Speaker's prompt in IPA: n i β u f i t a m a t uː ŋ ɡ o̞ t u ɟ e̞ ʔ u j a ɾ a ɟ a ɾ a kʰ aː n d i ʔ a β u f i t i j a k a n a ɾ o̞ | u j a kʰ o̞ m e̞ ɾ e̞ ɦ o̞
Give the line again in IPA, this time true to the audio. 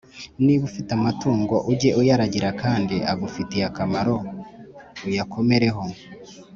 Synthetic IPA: n i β u f i t a m a t uː ŋ ɡ o̞ ʔ u ɟ e̞ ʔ u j a ɾ a ɟ i ɾ a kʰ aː n d i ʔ a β u f i t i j a k a m a ɾ o̞ | u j a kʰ o̞ m e̞ ɾ e̞ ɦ o̞

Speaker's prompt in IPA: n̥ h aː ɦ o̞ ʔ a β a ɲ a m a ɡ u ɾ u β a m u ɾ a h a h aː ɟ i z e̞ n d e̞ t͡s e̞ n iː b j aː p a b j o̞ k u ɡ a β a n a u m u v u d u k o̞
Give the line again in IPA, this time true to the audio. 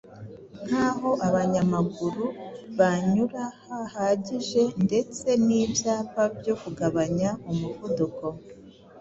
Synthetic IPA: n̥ h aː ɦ o̞ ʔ a β a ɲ a m a ɡ u ɾ u β a ɲ u ɾ a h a h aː ɟ i ʒ e̞ n d e̞ t͡s e̞ n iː b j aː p a b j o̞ k u ɡ a β a ɲ a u m u v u d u k o̞

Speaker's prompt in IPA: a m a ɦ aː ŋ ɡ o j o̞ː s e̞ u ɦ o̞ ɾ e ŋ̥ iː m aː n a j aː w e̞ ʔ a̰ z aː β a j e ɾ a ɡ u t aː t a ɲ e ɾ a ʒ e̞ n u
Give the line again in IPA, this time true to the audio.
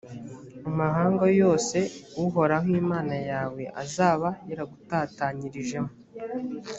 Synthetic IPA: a m a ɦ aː ŋ ɡ o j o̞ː s e̞ u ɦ o̞ ɾ a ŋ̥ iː m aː n a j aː w e̞ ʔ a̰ z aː β a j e ɾ a ɡ u t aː t a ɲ i ɾ i ʒ e̞ m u

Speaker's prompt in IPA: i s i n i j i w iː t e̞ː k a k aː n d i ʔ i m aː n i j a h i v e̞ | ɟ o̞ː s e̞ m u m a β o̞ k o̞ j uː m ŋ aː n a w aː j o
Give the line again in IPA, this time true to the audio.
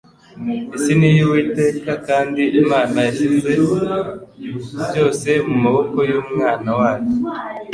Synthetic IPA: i s i n i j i w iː t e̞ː k a k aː n d i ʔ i m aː n a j a ʃ i z e̞ | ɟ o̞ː s e̞ m u m a β o̞ k o̞ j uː m ŋ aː n a w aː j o

